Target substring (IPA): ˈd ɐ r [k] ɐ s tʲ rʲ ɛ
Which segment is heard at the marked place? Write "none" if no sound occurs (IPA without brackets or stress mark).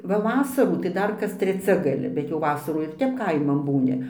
k